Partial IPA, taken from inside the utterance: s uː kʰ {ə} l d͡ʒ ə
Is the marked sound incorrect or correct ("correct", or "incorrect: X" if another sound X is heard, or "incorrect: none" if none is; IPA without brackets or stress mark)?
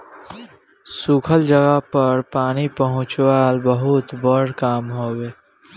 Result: correct